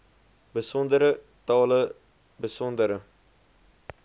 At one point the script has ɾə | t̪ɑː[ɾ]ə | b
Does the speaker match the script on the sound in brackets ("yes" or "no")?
no